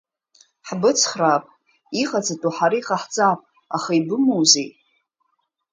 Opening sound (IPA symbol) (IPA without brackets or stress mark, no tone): ħ